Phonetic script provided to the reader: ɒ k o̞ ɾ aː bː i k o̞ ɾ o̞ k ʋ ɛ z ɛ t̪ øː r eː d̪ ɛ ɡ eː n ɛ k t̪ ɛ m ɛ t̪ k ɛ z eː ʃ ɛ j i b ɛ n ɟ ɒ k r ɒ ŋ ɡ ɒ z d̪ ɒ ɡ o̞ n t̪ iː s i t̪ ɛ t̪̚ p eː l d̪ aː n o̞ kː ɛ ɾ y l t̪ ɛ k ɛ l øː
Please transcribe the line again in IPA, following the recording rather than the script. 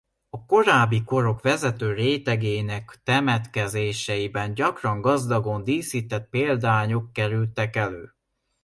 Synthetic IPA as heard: ɒ k o̞ ɾ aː bː i k o̞ ɾ o̞ k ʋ ɛ z ɛ t̪ øː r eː t̪ ɛ ɡ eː n ɛ k t̪ ɛ m ɛ t̪ k ɛ z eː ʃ ɛ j i b ɛ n ɟ ɒ k r ɒ ŋ ɡ ɒ z d̪ ɒ ɡ o̞ n d̪ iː s i t̪ ɛ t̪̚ p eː l d̪ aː ɲ o̞ kː ɛ ɾ y l t̪ ɛ k ɛ l øː